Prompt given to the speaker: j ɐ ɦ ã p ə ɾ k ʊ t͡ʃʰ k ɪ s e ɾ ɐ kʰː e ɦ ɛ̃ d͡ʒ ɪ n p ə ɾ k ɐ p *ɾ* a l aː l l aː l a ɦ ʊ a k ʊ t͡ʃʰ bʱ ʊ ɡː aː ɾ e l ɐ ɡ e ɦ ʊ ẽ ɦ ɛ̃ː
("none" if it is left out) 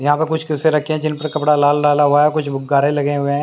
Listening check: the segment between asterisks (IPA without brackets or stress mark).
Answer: ɽ